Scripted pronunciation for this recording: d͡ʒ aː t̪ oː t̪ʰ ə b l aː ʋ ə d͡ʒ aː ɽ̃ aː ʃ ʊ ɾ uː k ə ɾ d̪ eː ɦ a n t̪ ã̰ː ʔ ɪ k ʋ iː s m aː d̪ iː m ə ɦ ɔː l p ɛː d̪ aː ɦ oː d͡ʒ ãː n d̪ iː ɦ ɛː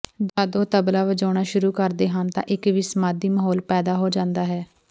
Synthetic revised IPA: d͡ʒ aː d̪ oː t̪ ə b l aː ʋ ə d͡ʒ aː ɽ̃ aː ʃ ʊ ɾ uː k ə ɾ d̪ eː ɦ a n t̪ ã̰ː ʔ ɪ k ʋ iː s m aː d̪ iː m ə ɦ ɔː l p ɛː d̪ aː ɦ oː d͡ʒ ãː n d̪ aː ɦ ɛː